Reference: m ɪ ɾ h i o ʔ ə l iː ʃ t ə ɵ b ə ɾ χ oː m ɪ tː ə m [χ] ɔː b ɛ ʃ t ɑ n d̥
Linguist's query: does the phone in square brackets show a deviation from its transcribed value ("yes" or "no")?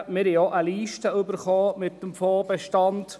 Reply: yes